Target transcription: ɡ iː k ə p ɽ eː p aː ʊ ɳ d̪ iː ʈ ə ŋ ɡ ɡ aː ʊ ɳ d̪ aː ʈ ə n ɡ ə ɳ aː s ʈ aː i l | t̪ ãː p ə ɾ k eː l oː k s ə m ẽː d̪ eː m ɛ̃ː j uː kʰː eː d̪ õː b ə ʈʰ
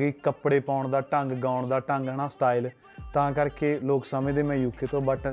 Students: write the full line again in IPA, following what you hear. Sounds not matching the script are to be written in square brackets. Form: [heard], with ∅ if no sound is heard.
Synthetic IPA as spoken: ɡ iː k ə p ɽ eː p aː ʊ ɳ d̪ [aː] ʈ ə ŋ ɡ ɡ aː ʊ ɳ d̪ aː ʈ ə [ŋ] ɡ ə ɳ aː s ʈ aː i l | t̪ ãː [k] ə ɾ k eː l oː k s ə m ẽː d̪ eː m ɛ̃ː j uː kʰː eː [t̪] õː b ə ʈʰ